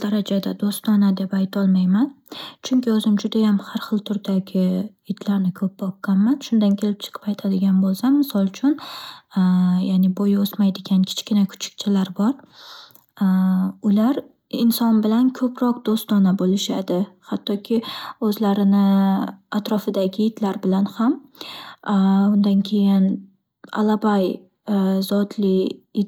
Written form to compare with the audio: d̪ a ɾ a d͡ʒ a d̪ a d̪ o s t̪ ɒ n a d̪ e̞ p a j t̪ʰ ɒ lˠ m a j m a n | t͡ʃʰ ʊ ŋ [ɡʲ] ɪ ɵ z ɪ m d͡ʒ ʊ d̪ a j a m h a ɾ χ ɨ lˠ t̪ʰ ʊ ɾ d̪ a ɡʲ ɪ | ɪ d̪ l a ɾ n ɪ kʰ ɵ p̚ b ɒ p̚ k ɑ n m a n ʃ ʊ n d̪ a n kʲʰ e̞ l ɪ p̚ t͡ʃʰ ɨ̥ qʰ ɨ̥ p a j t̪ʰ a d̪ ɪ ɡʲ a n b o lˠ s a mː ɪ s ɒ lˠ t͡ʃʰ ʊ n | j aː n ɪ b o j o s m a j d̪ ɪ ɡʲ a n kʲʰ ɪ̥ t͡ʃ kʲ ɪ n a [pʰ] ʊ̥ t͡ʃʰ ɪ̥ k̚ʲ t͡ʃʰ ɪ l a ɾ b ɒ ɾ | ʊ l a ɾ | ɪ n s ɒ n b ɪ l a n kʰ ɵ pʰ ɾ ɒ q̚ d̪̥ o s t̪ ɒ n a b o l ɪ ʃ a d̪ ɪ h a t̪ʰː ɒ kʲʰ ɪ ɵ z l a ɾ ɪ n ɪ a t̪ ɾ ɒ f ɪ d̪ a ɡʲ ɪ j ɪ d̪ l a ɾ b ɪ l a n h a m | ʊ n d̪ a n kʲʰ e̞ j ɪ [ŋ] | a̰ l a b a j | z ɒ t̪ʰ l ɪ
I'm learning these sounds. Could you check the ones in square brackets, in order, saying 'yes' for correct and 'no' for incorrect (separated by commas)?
no, no, no